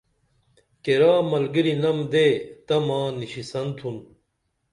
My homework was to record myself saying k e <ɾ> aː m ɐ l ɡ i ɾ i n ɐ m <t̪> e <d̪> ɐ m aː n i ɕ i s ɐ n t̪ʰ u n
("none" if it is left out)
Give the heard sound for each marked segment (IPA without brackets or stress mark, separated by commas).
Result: ɾ, d̪, t̪